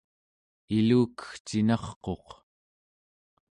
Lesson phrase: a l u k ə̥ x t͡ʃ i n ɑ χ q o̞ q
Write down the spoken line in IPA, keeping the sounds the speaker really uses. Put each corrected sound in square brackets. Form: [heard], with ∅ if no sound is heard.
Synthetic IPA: [i] l [uː] k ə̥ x t͡ʃ i n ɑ χ q o̞ q